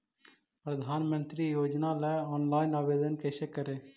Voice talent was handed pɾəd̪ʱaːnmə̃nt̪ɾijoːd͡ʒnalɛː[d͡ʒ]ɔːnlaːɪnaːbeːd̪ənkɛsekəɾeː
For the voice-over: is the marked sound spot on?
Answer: no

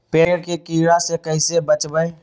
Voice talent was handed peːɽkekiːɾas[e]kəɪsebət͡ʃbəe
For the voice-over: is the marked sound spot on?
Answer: yes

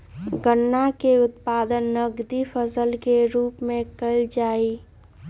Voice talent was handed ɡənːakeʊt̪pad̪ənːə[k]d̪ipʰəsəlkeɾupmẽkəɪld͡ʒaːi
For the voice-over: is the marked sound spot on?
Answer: no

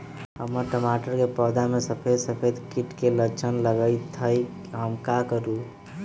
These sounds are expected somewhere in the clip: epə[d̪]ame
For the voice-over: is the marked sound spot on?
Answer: yes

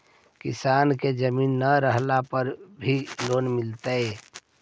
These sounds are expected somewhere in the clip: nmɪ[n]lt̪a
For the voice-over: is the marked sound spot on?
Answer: no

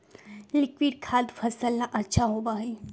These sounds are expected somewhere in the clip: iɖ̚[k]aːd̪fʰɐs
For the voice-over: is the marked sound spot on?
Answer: no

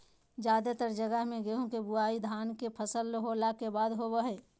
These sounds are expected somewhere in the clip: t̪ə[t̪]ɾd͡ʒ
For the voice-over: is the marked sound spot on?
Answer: no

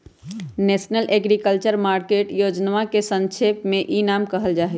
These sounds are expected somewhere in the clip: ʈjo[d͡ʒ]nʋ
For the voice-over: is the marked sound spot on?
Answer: yes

